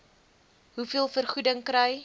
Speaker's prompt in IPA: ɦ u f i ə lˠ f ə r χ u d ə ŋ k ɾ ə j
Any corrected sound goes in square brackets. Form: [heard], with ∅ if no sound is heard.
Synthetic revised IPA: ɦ u f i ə lˠ f ə r χ u d ə ŋ k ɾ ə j

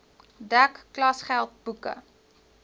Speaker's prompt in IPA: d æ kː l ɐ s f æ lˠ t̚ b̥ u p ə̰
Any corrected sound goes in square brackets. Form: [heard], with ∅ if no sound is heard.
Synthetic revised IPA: d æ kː l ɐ s [χ] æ lˠ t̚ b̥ u [k] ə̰

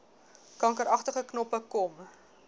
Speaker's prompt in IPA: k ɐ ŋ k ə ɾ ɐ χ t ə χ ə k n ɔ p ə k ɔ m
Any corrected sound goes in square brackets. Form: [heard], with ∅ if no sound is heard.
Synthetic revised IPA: k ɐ ŋ k ə ɾ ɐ χ t ə χ ə k n ɔ p ə k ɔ m

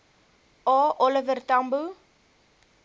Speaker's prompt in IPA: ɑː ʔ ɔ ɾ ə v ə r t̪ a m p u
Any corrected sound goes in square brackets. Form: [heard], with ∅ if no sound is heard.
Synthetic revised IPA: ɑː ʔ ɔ [l] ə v ə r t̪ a m [b] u

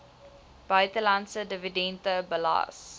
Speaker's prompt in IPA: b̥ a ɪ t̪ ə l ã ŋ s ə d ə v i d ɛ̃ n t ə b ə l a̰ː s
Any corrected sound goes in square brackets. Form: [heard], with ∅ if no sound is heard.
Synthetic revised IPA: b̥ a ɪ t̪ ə l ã [n] s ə d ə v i d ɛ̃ n t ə b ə l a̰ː s

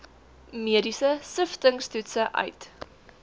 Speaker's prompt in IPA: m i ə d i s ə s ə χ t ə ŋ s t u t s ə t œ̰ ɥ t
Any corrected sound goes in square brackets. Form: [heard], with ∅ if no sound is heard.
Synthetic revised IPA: m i ə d i s ə s ə [f] t ə ŋ s t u t s ə [ʔ] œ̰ ɥ t

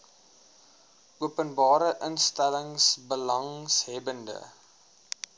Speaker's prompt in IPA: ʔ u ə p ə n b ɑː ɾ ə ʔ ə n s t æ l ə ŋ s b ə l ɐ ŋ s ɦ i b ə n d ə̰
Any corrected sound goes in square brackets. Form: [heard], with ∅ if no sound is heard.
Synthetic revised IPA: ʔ u ə p ə n b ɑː ɾ ə ʔ ə n s t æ l ə ŋ s b ə l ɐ ŋ s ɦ [ɛ] b ə n d ə̰

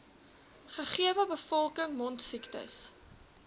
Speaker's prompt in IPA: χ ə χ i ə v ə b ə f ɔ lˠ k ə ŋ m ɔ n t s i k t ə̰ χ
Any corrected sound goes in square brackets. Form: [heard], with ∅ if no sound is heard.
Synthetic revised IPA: χ ə χ i ə v ə b ə f ɔ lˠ k ə ŋ m ɔ n t s i k t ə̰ [s]

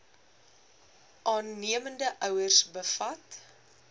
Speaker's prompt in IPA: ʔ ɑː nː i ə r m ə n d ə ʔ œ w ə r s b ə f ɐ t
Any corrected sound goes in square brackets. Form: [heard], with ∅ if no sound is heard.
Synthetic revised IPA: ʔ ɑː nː i ə [∅] m ə n d ə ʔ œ w ə r s b ə f ɐ t

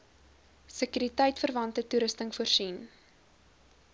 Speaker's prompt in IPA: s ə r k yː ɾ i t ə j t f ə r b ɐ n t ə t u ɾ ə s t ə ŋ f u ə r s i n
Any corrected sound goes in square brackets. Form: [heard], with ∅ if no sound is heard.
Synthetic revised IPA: s ə [∅] k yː ɾ i t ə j t f ə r [v] ɐ n t ə t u ɾ ə s t ə ŋ f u ə r s i n

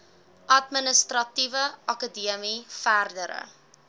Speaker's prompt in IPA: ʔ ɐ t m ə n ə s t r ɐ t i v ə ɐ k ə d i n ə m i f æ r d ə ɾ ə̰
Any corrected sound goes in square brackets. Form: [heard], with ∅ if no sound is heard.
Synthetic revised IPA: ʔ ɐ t m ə n ə s t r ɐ t i v ə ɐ k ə d i [∅] ə m i f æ r d ə ɾ ə̰

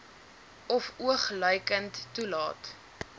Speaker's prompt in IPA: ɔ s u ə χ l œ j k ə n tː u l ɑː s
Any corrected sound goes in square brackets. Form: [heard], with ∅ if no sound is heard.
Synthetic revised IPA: ɔ [f] u ə χ l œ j k ə n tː u l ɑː [t]

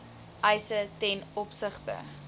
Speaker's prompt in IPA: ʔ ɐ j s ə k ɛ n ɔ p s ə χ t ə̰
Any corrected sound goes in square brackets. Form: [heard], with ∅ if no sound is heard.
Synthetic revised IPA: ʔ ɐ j s ə [t] ɛ n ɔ p s ə χ t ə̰

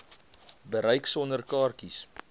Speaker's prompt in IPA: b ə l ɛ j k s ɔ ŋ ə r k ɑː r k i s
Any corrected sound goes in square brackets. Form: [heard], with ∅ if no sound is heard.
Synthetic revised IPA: b ə [ɾ] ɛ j k s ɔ [n] ə r k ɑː r k i s

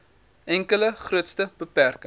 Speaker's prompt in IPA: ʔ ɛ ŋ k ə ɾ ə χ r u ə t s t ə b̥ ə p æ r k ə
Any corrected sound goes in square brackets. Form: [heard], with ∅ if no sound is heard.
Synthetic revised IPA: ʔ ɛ ŋ k ə [l] ə χ r u ə t s t ə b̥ ə p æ r k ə

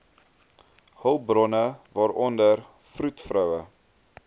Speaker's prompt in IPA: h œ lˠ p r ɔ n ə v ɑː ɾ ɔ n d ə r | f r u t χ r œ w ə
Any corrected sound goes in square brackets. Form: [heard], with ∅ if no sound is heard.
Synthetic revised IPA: h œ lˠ [b] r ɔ n ə v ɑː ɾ ɔ n d ə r | f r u t [f] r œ w ə

